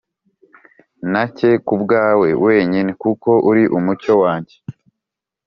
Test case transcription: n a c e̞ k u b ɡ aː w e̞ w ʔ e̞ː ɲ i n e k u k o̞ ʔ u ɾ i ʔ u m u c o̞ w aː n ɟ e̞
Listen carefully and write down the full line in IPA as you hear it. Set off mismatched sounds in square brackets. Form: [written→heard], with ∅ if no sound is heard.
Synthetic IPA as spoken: n a c e̞ k u b ɡ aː w e̞ w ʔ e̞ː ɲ i n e k u k o̞ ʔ u ɾ i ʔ u m u c o̞ w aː [n→ɲ] ɟ e̞